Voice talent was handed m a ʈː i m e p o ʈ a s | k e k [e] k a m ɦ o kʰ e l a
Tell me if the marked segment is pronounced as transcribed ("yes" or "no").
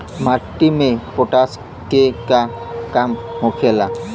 no